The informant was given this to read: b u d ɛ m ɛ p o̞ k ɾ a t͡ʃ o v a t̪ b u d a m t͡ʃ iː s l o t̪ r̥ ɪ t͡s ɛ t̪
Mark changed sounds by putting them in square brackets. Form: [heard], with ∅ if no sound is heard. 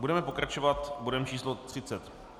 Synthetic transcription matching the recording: b u d ɛ m ɛ p o̞ k ɾ a t͡ʃ o v a t̪ b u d [ɛ] m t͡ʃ iː s l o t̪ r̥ ɪ t͡s ɛ t̪

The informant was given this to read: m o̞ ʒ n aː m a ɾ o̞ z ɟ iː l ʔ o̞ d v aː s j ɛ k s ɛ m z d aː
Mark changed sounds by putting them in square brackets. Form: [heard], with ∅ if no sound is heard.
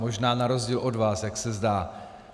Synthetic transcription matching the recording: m o̞ ʒ n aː [n] a ɾ o̞ z ɟ iː l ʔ o̞ d v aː s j [a] k s ɛ [∅] z d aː

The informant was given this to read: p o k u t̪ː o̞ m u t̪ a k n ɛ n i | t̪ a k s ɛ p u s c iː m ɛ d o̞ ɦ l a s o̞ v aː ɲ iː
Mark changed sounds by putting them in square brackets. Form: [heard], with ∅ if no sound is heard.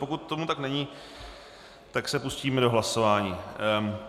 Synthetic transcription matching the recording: p o k u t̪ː o̞ m u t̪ a k n ɛ [ɲ] i | t̪ a k s ɛ p u s c iː m ɛ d o̞ ɦ l a s o̞ v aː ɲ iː

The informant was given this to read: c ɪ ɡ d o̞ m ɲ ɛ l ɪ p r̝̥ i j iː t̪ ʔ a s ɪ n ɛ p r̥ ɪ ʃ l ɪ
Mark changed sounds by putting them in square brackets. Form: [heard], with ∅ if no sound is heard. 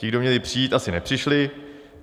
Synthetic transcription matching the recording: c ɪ ɡ d o̞ m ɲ ɛ l ɪ p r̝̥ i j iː t̪ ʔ a s ɪ n ɛ p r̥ ɪ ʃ l ɪ

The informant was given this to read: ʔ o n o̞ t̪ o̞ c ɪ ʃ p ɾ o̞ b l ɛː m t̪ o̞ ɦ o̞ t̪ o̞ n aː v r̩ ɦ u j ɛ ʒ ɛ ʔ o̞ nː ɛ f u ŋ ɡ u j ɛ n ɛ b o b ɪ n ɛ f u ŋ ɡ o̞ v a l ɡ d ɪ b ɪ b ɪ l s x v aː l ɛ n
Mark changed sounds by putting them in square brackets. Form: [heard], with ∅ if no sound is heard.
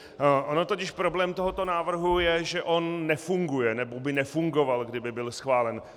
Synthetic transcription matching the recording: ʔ o n o̞ t̪ o̞ c ɪ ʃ p ɾ o̞ b l ɛː m t̪ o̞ ɦ o̞ t̪ o̞ n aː v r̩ ɦ u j ɛ ʒ ɛ ʔ o̞ nː ɛ f u ŋ ɡ u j ɛ n ɛ b o b ɪ n ɛ f u ŋ ɡ o̞ v a l ɡ d ɪ b ɪ b ɪ l s x v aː l ɛ n

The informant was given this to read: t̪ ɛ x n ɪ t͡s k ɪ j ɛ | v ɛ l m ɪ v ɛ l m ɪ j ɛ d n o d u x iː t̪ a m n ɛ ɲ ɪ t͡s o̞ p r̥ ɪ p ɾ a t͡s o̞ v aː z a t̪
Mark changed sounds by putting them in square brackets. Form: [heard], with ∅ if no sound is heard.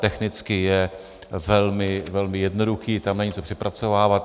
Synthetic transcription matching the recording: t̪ ɛ x n ɪ t͡s k ɪ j ɛ | v ɛ l m ɪ v ɛ l m ɪ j ɛ d n o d u x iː t̪ a m n ɛ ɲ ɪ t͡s o̞ p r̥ ɪ p ɾ a t͡s o̞ v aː [v] a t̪

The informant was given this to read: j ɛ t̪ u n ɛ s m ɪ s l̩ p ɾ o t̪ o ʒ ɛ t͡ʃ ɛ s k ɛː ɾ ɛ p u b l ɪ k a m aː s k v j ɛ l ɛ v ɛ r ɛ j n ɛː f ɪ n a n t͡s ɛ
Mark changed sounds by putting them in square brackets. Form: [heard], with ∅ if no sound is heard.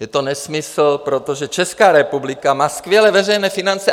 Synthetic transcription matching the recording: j ɛ t̪ [o] n ɛ s m ɪ s l̩ p ɾ o t̪ o ʒ ɛ t͡ʃ ɛ s k [aː] ɾ ɛ p u b l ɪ k a m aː s k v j ɛ l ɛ v ɛ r ɛ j n ɛː f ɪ n a n t͡s ɛ

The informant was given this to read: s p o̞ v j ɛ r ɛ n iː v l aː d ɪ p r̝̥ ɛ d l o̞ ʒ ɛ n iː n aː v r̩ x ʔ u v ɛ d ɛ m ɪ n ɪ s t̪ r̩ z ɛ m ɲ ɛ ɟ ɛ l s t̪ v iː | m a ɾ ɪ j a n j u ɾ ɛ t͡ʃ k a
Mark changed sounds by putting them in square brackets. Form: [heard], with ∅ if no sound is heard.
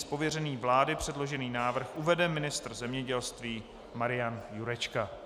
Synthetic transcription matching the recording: s p o̞ v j ɛ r ɛ n iː v l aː d ɪ p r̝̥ ɛ d l o̞ ʒ ɛ n iː n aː v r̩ x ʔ u v ɛ d ɛ m ɪ n ɪ s t̪ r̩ z ɛ m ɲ ɛ ɟ ɛ l s t̪ v iː | m a ɾ ɪ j a n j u ɾ ɛ t͡ʃ k a

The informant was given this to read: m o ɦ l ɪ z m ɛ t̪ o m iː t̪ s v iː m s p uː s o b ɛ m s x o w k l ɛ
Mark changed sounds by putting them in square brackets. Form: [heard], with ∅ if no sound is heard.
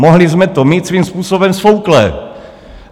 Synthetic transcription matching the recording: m o ɦ l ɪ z m ɛ t̪ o m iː t̪ s v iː m s p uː s o b ɛ m s [f] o w k l ɛ

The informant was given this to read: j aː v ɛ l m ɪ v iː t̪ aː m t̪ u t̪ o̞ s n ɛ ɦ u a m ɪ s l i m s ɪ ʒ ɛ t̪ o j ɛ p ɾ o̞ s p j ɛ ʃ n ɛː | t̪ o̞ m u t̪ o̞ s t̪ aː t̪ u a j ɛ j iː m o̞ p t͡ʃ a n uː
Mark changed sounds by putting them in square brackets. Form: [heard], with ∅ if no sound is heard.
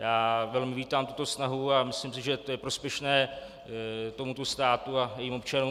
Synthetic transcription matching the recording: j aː v ɛ l m ɪ v iː t̪ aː m t̪ u t̪ o̞ s n [a] ɦ u a m ɪ s l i m s ɪ ʒ ɛ t̪ o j ɛ p ɾ o̞ s p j ɛ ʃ n ɛː | t̪ o̞ m u t̪ o̞ s t̪ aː t̪ u a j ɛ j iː m o̞ p t͡ʃ a n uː

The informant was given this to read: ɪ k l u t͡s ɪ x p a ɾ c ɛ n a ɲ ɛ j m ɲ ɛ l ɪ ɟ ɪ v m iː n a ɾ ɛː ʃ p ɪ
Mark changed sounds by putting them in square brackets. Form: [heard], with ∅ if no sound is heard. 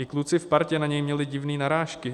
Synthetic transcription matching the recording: ɪ k l u t͡s ɪ [f] p a ɾ c ɛ n a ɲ ɛ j m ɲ ɛ l ɪ ɟ ɪ v [n] iː n a ɾ [aː] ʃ [k] ɪ

